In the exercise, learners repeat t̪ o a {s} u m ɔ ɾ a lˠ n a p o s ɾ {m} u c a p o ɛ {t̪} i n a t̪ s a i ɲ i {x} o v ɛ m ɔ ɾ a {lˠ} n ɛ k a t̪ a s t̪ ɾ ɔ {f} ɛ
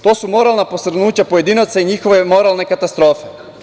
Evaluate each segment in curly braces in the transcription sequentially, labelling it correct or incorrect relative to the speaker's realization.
correct, incorrect, incorrect, correct, correct, correct

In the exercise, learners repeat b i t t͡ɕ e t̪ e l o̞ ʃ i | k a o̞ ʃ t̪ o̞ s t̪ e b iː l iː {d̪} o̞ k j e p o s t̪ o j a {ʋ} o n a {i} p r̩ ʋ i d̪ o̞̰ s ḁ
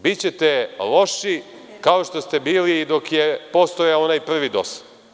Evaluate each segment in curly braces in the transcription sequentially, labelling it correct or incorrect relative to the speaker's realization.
correct, incorrect, incorrect

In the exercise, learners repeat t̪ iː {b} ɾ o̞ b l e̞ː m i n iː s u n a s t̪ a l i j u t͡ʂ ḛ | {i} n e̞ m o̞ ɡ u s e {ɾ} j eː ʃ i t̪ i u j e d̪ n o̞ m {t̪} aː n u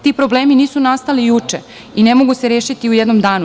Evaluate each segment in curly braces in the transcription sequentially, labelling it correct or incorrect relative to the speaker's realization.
incorrect, correct, correct, incorrect

